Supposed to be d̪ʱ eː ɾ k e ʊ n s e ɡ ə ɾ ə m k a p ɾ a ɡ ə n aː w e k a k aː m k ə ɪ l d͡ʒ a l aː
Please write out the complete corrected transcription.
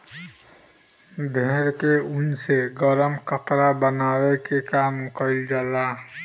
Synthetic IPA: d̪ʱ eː ɾ k e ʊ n s e ɡ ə ɾ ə m k ə p ɾ a b ə n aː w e k e k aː m k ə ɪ l d͡ʒ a l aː